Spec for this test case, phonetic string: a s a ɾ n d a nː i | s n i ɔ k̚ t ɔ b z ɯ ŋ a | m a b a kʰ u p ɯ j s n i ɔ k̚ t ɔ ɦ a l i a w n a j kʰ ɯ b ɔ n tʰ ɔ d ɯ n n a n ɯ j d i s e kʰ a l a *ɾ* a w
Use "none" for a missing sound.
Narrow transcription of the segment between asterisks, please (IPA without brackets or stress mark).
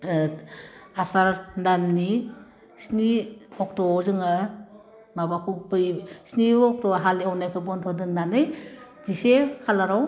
ɾ